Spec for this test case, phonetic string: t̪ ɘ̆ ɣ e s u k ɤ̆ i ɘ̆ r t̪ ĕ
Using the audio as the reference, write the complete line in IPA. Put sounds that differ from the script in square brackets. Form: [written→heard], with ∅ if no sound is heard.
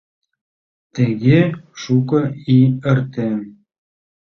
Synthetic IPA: t̪ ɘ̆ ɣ e [s→ʃ] u k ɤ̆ i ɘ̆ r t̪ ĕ